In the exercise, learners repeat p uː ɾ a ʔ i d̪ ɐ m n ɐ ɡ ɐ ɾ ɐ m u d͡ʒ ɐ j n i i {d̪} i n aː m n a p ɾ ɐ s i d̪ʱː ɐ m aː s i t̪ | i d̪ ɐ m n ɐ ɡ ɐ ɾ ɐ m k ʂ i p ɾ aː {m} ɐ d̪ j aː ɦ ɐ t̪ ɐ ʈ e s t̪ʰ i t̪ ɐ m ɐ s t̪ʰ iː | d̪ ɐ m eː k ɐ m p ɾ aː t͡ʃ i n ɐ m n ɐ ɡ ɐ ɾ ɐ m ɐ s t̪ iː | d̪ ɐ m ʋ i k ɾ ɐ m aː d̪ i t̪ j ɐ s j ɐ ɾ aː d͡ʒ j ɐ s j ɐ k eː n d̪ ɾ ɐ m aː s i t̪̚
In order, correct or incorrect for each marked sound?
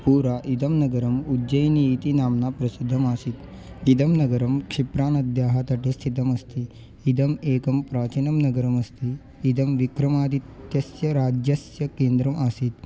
incorrect: t̪, incorrect: n

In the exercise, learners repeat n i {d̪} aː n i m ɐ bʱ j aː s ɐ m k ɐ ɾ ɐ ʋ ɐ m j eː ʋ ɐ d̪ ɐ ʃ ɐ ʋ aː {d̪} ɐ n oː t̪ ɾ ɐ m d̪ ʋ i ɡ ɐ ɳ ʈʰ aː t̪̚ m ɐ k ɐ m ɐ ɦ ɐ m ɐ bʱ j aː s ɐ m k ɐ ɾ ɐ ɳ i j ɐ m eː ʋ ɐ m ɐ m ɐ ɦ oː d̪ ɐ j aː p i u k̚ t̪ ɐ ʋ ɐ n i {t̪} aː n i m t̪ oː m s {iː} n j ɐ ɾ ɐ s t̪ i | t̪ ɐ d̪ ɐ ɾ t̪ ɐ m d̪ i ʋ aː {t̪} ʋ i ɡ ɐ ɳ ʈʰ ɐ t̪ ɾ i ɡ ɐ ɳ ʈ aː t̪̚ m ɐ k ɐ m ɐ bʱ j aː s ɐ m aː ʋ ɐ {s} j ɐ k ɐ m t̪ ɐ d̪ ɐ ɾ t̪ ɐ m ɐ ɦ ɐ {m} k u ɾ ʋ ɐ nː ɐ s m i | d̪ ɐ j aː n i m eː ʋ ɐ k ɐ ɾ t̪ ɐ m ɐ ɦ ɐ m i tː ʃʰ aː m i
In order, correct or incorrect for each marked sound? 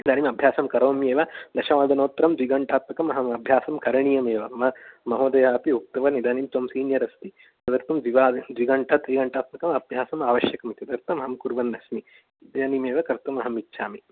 correct, correct, incorrect: d̪, correct, incorrect: d̪, incorrect: ʃ, correct

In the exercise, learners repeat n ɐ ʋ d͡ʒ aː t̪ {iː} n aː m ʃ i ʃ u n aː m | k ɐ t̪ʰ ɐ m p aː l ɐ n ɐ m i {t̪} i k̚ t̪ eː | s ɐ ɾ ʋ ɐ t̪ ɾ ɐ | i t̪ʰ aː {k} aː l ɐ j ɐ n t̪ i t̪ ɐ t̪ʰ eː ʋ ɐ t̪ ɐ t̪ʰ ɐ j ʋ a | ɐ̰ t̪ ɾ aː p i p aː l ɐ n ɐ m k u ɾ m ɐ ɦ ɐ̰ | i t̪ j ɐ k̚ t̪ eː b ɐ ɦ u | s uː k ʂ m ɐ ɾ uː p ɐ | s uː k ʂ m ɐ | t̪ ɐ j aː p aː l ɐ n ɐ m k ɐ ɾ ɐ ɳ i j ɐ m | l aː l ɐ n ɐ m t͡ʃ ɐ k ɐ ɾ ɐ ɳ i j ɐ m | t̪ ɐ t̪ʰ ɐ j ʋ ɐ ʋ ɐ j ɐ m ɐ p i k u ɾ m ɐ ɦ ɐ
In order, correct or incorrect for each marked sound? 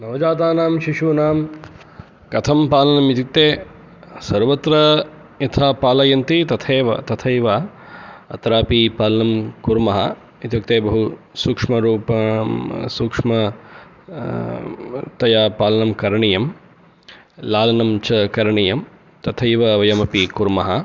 incorrect: aː, correct, incorrect: p

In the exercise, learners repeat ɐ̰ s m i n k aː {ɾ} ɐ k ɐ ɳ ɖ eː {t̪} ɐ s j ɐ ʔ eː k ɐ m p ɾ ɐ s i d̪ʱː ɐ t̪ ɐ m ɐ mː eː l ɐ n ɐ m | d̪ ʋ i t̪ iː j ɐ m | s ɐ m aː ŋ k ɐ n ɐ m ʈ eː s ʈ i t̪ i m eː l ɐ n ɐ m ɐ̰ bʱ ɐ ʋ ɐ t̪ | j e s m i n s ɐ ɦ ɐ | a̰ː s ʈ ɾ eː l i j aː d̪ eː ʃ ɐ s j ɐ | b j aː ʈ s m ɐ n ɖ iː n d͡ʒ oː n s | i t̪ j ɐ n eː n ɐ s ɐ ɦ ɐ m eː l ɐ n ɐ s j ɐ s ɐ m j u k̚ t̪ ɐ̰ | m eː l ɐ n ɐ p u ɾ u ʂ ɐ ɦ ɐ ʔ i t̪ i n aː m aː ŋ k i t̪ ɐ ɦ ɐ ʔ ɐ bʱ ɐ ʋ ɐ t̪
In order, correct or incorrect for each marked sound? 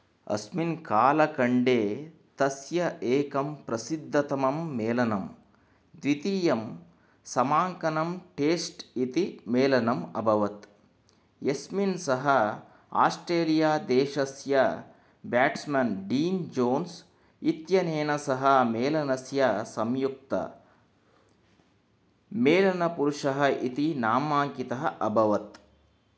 incorrect: l, correct

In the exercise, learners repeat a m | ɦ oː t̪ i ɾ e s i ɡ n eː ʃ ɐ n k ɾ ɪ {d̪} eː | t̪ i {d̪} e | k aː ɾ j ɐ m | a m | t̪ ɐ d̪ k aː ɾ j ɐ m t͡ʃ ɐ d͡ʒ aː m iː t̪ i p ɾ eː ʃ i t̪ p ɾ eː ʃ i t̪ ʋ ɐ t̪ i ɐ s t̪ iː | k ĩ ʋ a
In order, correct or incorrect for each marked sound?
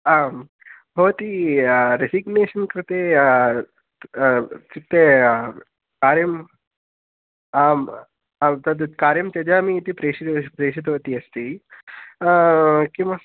incorrect: t̪, incorrect: t̪

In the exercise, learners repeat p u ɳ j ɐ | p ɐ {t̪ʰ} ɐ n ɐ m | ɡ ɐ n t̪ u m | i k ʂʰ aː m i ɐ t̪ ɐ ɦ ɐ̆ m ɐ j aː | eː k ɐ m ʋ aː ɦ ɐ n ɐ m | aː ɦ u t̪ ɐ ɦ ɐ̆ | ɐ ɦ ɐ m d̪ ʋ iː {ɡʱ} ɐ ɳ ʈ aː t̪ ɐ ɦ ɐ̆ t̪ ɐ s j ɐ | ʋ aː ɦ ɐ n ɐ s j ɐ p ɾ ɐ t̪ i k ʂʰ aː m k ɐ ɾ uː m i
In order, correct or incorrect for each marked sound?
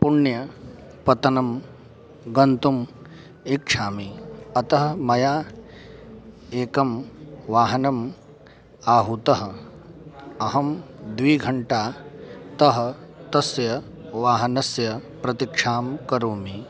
incorrect: t̪, correct

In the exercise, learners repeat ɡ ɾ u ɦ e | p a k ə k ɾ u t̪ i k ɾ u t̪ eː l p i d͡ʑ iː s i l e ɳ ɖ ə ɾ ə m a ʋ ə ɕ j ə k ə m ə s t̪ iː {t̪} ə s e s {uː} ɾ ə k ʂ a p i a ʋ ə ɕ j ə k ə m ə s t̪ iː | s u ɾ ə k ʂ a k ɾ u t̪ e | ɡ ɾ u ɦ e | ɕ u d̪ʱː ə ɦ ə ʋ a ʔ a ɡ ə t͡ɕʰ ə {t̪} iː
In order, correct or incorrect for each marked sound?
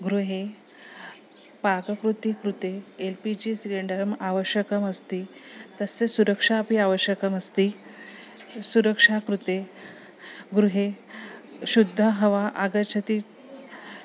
correct, incorrect: u, correct

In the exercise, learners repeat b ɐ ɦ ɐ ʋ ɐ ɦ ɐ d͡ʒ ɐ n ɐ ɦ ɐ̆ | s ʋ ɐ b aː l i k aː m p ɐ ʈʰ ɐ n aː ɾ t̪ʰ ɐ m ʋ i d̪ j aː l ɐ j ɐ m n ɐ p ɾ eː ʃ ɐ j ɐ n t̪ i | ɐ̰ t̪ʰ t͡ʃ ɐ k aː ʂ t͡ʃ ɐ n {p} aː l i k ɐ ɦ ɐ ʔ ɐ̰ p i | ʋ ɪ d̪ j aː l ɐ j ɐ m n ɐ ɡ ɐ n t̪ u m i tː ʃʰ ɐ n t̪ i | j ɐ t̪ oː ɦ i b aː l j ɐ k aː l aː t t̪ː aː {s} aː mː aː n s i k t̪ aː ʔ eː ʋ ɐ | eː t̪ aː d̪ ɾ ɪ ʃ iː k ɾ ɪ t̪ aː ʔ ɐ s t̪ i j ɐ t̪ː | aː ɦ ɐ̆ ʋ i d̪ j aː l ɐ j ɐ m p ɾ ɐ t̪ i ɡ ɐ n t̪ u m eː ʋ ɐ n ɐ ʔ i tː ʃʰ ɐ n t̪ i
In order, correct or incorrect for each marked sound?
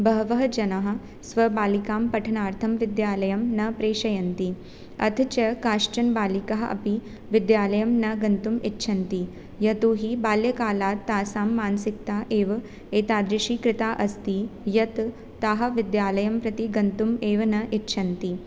incorrect: b, correct

